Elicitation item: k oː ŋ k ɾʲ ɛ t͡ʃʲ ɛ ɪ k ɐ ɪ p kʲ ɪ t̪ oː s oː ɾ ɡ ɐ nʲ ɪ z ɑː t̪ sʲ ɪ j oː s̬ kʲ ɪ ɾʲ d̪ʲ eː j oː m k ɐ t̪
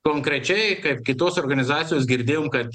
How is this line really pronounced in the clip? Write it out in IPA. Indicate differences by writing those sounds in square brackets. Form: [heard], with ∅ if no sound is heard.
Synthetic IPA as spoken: k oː ŋ k ɾʲ ɛ t͡ʃʲ ɛ ɪ k ɐ ɪ p kʲ ɪ t̪ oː s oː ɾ ɡ ɐ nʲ ɪ z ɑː t̪ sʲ ɪ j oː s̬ [ɡʲ] ɪ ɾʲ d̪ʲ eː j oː m k ɐ t̪